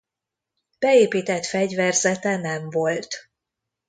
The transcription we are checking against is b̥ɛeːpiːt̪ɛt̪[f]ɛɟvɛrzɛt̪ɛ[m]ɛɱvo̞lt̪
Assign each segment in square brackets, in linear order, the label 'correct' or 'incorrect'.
correct, incorrect

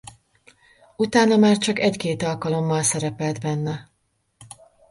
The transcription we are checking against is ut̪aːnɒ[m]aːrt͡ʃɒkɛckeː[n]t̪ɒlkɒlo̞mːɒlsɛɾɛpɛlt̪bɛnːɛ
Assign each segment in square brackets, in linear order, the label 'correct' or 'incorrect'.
correct, incorrect

